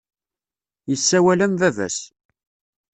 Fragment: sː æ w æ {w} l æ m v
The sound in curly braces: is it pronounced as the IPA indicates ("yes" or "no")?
no